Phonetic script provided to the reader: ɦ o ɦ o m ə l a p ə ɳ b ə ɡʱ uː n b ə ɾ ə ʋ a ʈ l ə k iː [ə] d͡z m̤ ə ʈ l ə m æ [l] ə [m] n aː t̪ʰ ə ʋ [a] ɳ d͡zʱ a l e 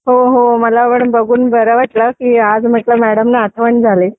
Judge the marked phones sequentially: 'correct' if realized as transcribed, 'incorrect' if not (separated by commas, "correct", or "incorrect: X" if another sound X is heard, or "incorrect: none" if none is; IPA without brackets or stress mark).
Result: incorrect: a, incorrect: ɽ, correct, incorrect: ə